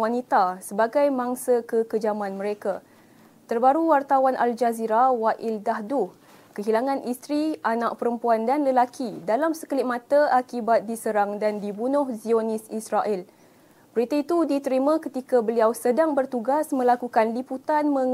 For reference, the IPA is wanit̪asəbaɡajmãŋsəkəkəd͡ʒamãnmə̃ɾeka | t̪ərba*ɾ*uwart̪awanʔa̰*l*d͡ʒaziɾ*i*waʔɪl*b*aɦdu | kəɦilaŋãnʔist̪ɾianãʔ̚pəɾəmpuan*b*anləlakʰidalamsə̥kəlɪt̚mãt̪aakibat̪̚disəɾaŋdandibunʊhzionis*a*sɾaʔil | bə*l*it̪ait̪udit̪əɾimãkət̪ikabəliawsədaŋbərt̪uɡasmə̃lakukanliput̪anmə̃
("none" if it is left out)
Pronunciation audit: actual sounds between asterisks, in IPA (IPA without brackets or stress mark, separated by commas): ɾ, l, a, d, d, i, ɾ